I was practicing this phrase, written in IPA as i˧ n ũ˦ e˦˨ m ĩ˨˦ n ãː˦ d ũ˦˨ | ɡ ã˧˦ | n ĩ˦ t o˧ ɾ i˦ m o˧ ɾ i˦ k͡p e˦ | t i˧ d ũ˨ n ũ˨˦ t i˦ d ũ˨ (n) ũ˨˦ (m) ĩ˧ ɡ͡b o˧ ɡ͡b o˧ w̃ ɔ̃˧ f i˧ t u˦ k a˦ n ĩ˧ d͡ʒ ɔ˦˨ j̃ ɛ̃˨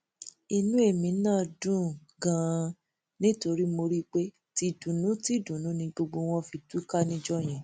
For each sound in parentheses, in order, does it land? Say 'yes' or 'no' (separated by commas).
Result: yes, no